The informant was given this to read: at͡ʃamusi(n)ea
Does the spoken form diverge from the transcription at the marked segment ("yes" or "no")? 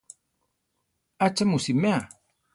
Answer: yes